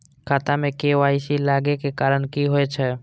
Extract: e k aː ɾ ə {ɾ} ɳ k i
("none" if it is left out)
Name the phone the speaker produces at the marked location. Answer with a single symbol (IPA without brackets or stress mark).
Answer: none